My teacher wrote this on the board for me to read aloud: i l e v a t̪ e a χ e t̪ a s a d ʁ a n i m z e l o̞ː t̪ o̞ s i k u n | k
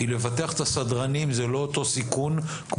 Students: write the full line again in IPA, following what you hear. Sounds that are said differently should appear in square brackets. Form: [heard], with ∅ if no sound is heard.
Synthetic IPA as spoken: i l e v a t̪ e a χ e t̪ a s a d ʁ a n i m z e l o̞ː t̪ o̞ s i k u n | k